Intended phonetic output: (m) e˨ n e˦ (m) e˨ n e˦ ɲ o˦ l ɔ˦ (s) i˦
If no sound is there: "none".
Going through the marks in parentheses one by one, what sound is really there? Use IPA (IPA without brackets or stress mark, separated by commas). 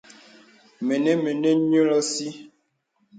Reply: m, m, s